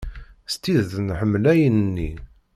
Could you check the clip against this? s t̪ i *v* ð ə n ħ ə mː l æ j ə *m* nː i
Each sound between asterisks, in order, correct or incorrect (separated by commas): incorrect, incorrect